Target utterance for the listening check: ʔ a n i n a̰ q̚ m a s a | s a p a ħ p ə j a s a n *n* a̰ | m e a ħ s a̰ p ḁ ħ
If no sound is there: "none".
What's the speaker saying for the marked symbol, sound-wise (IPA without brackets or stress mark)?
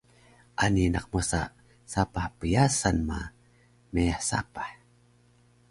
m